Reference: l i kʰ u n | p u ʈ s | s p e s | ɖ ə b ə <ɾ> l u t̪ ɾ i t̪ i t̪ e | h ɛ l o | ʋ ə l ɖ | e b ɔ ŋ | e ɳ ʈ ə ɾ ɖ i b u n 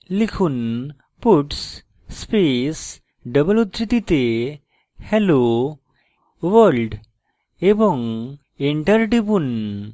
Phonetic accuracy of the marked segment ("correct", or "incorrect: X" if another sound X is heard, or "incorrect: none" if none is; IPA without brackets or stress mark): incorrect: none